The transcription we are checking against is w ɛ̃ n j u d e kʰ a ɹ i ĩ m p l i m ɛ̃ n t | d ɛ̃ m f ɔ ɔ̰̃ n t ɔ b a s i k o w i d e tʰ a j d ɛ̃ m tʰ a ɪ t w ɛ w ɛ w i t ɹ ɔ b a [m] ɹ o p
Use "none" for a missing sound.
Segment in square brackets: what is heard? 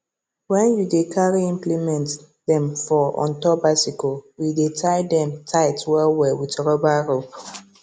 none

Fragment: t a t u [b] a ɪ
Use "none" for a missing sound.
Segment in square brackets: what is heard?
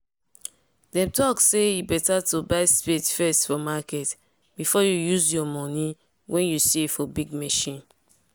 b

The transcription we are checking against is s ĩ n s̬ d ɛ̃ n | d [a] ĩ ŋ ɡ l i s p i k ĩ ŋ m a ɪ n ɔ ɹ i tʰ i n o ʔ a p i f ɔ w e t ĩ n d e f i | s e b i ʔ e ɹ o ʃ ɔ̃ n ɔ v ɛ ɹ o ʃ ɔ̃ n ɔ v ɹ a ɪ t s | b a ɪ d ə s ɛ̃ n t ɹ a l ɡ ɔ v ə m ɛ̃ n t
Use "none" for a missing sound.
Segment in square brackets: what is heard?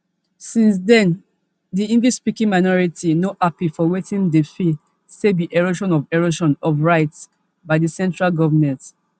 i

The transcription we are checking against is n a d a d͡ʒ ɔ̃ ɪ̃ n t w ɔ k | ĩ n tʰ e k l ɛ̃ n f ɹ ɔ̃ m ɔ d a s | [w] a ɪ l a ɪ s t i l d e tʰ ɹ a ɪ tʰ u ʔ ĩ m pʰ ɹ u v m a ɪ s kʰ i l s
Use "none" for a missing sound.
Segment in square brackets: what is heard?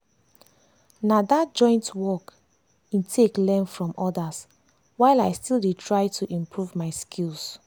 w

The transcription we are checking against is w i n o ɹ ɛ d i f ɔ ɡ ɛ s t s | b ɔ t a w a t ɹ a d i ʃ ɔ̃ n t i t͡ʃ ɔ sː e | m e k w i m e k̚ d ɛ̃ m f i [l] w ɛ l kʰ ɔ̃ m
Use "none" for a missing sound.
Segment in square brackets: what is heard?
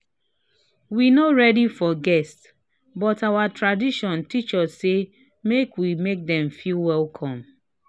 l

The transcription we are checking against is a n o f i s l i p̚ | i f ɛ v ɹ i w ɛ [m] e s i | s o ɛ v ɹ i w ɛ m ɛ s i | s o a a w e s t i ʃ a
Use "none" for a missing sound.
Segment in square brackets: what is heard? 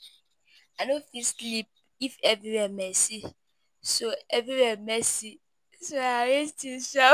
m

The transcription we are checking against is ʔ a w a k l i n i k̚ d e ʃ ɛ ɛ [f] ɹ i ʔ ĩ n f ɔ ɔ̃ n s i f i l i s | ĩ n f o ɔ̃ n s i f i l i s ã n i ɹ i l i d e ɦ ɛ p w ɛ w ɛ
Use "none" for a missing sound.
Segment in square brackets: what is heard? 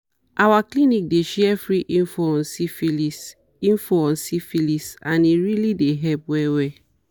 f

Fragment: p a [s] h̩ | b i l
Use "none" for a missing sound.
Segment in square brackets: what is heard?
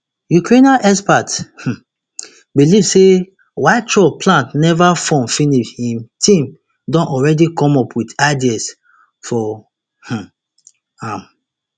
t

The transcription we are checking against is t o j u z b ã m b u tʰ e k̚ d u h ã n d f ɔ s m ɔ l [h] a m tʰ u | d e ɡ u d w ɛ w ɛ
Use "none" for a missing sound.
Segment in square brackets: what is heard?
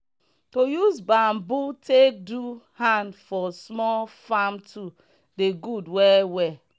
f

